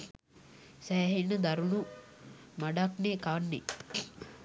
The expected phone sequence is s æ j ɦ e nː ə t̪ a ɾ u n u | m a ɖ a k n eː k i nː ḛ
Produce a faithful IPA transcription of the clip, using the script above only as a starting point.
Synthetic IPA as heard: s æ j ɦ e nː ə d̪ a ɾ u n u | m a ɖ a k n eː k a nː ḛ